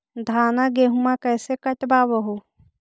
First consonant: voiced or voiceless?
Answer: voiced